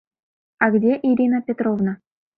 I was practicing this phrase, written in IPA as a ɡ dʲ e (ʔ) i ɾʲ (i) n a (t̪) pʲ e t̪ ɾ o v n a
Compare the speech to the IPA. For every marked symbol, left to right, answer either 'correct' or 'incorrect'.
correct, correct, incorrect

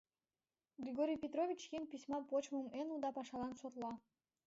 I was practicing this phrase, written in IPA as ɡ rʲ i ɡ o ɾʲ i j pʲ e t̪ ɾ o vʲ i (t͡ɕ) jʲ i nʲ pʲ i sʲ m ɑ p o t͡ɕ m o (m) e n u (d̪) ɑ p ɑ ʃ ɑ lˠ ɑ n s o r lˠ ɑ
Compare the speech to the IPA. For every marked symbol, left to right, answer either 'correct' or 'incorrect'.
correct, correct, correct

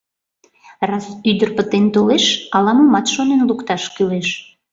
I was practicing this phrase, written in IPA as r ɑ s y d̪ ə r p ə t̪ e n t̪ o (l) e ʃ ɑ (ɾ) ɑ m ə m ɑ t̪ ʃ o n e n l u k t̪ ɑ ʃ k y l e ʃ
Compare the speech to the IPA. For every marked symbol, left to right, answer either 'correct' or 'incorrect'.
correct, incorrect

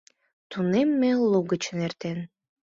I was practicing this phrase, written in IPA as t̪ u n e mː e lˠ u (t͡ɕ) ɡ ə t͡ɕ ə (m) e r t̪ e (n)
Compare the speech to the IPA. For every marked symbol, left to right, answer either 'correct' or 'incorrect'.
incorrect, incorrect, correct

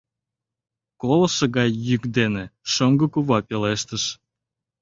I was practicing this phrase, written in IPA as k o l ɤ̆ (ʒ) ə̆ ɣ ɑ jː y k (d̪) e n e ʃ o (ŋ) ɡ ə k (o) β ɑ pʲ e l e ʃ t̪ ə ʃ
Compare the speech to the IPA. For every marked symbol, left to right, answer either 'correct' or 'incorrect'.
incorrect, correct, correct, incorrect

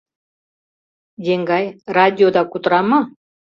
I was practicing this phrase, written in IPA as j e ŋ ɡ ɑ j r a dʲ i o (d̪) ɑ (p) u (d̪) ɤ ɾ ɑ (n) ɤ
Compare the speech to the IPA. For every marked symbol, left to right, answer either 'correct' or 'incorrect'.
correct, incorrect, incorrect, incorrect

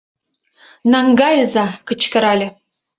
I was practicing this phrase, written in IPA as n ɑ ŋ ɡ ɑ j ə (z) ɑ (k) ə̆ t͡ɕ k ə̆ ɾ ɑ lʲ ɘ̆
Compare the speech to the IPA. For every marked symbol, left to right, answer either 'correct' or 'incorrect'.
correct, correct

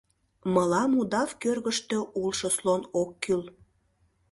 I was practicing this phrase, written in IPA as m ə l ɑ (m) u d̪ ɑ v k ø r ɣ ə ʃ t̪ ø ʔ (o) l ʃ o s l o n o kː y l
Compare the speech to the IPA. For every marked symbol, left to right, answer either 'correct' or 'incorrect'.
correct, incorrect

